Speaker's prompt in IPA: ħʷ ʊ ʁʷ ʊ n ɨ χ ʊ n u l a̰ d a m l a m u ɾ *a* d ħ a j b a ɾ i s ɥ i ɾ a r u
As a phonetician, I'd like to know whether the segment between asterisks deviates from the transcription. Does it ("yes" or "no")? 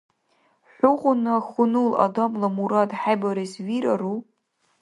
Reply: no